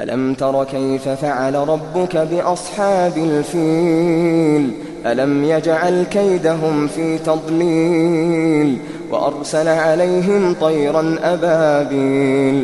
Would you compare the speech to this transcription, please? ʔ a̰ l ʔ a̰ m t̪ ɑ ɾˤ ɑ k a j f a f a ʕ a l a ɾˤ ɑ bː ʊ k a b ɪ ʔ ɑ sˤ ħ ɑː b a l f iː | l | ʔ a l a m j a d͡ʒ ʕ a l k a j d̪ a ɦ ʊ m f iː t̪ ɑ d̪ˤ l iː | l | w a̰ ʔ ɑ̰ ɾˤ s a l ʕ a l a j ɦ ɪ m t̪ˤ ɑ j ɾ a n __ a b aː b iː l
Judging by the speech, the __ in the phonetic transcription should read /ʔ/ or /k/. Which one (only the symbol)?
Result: ʔ